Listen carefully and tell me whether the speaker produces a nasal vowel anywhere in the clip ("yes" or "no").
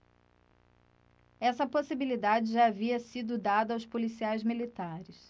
no